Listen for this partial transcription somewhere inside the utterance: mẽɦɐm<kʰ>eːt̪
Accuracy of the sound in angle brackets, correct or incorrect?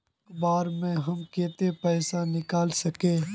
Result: incorrect: k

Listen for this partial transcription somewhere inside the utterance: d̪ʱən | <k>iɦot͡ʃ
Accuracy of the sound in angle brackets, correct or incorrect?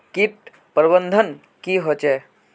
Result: correct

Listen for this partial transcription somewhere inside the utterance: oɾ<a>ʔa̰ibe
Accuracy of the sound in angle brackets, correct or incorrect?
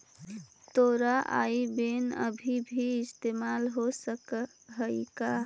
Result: correct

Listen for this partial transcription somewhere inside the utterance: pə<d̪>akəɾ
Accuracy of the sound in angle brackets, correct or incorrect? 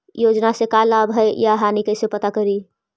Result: incorrect: t̪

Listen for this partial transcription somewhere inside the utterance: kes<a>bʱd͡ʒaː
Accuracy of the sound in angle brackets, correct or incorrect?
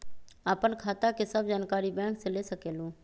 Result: incorrect: ə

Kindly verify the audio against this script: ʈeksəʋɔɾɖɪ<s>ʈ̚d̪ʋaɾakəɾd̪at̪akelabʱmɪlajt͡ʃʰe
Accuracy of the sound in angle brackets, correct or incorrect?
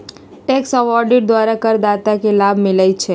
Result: incorrect: none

